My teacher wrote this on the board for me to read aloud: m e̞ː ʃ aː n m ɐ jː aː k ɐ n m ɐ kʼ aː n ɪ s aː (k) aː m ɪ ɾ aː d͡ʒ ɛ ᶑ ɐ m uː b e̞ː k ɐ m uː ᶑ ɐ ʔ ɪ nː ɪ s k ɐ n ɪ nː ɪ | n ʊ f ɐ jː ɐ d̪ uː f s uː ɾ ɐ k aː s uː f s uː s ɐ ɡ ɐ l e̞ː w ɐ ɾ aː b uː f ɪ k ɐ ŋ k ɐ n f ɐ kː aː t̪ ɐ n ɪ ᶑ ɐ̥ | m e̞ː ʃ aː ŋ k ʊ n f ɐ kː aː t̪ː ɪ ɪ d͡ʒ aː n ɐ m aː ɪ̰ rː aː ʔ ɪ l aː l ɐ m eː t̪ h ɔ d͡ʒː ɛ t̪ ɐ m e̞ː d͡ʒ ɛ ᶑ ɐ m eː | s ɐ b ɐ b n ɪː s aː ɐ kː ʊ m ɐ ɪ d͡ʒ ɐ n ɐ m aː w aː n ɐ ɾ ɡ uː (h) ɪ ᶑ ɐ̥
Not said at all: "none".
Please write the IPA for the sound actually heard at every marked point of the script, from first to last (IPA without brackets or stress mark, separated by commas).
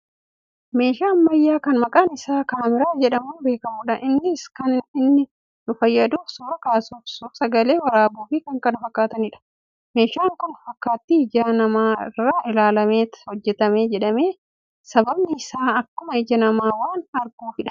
k, f